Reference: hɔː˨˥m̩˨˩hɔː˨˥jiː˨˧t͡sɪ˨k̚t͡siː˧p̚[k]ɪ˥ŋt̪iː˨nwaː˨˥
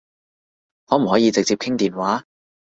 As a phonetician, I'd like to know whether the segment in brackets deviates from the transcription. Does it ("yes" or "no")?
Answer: yes